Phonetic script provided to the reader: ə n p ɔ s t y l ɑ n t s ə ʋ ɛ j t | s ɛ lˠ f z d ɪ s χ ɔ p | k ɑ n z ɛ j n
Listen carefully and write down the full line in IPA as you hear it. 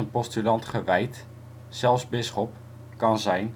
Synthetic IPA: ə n p ɔ s t y l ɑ n t χ ə ʋ ɛ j t | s ɛ lˠ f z b ɪ s χ ɔ p | k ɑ n z ɛ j n